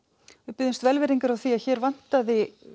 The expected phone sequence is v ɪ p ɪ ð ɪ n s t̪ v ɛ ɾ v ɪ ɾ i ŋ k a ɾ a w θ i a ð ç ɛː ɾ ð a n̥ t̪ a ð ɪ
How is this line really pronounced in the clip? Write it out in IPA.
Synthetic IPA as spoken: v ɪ p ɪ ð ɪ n s t̪ v ɛ l v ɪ ɾ i ŋ k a ɾ a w θ i a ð ç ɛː ɾ v a n̥ t̪ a ð ɪ